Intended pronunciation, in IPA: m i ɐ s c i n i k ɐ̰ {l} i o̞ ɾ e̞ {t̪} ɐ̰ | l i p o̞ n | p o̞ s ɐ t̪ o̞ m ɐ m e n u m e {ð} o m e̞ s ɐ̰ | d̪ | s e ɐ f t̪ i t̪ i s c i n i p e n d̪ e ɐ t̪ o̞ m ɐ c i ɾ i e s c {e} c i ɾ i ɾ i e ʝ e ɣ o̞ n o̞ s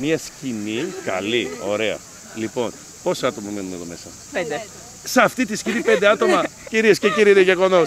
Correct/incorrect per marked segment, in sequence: correct, incorrect: none, correct, correct

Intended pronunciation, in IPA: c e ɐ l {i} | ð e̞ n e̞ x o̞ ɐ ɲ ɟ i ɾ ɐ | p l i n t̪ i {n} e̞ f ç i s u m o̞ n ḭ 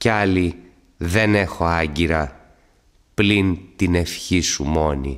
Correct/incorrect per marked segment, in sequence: correct, correct

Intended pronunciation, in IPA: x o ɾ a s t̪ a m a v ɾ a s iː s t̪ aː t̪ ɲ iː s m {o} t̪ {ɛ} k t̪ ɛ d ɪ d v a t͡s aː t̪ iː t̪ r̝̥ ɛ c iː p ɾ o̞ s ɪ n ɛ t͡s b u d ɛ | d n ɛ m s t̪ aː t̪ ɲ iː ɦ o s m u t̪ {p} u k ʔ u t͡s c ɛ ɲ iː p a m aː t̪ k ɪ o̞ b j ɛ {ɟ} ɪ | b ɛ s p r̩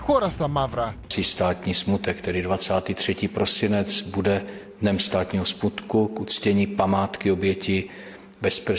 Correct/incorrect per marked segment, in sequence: incorrect: u, correct, incorrect: k, incorrect: c

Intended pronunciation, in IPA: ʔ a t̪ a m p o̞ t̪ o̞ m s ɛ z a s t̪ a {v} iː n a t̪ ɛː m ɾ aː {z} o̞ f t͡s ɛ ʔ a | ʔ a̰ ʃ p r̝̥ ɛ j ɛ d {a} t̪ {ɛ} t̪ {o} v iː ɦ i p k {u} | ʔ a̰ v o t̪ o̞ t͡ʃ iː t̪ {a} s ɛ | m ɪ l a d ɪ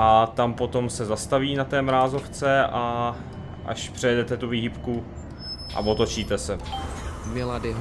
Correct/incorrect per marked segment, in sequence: correct, correct, incorrect: ɛ, correct, incorrect: u, correct, incorrect: ɛ

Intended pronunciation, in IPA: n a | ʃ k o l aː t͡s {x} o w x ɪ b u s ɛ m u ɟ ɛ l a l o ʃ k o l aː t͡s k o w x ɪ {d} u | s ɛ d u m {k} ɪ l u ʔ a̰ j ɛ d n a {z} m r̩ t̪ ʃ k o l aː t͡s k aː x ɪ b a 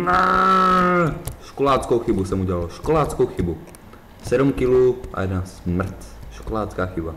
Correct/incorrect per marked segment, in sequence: incorrect: k, incorrect: b, correct, incorrect: s

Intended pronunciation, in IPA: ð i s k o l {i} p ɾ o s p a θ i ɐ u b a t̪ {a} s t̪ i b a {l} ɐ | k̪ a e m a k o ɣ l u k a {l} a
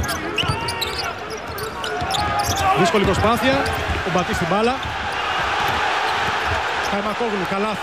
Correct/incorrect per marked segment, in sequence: correct, incorrect: i, correct, correct

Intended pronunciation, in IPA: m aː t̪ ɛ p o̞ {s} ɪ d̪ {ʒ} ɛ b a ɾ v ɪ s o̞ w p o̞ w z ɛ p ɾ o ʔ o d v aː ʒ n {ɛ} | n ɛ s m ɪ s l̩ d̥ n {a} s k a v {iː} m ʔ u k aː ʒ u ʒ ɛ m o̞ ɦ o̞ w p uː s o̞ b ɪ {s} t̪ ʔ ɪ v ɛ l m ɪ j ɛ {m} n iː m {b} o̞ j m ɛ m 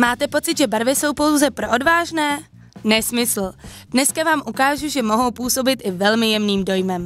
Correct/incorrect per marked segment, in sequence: incorrect: t͡s, correct, incorrect: ɛː, incorrect: ɛ, incorrect: aː, incorrect: none, correct, incorrect: d

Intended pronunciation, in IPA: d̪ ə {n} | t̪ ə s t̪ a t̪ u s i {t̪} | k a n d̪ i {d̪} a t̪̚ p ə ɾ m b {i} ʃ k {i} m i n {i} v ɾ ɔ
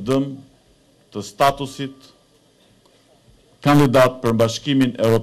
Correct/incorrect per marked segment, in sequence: incorrect: m, correct, correct, incorrect: a, correct, incorrect: ɛ

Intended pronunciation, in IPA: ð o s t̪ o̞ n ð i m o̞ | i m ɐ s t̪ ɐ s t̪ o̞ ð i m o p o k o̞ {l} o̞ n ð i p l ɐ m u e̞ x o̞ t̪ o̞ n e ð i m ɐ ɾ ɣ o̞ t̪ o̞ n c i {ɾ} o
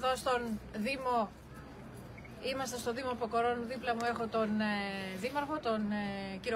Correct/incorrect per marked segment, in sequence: incorrect: ɾ, correct

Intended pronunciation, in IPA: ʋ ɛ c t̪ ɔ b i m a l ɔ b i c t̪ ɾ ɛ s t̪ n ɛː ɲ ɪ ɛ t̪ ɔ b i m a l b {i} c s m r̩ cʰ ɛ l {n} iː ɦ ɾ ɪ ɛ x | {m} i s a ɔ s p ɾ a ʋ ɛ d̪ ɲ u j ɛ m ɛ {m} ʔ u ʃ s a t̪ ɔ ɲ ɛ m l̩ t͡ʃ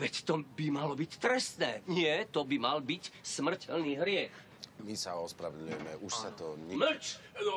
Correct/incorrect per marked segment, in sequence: correct, correct, correct, incorrect: none

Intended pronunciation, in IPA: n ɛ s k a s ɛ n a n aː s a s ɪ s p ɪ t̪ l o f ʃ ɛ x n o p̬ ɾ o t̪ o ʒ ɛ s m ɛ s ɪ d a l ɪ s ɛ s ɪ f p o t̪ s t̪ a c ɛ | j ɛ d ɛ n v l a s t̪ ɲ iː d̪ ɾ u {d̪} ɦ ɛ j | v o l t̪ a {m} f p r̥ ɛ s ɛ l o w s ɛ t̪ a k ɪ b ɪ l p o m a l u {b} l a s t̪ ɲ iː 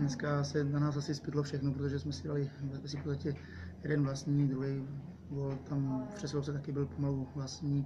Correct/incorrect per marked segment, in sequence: incorrect: none, correct, incorrect: v

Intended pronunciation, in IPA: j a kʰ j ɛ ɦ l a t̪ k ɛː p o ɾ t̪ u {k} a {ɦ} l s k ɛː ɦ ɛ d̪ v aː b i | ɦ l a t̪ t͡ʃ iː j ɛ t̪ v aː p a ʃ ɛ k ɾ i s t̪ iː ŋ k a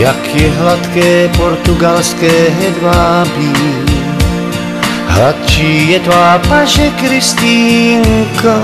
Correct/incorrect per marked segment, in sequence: incorrect: ɡ, incorrect: none

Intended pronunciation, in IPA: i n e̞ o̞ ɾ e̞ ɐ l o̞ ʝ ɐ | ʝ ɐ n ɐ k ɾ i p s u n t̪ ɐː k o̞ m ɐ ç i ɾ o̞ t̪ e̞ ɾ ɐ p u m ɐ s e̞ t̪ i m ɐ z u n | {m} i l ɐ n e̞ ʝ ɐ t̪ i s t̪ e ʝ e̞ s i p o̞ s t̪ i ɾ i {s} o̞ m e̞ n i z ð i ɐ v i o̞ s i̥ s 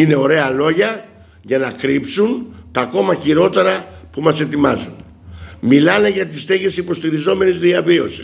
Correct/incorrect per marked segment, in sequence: correct, incorrect: z

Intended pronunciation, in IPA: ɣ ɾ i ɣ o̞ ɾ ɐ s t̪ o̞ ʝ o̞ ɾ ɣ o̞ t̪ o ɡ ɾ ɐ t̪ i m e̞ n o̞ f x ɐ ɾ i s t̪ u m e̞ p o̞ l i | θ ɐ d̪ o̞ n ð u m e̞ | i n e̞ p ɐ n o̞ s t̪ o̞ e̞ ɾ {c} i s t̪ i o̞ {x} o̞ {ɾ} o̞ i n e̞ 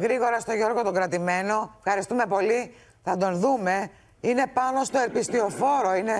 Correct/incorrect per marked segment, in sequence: incorrect: p, incorrect: f, correct

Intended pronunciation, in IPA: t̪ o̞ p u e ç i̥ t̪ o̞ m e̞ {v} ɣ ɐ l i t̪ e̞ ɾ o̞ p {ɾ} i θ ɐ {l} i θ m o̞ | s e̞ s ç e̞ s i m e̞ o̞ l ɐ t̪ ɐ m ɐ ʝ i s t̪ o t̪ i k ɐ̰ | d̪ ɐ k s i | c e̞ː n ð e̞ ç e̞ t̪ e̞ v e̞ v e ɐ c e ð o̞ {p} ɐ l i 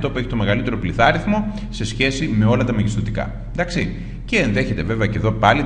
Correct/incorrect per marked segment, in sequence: incorrect: none, incorrect: l, incorrect: ɾ, correct

